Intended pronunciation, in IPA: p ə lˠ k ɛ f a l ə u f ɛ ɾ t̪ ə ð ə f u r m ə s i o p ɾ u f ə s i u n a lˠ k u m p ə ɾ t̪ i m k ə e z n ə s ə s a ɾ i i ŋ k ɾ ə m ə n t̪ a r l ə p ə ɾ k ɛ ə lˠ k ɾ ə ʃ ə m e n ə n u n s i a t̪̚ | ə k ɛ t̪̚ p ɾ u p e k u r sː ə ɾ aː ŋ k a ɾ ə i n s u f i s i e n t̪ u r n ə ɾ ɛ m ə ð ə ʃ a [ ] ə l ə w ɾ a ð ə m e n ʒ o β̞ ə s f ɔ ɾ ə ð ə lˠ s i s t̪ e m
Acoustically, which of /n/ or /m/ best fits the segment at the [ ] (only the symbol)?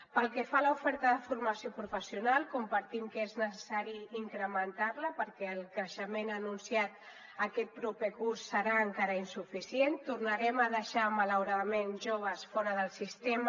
m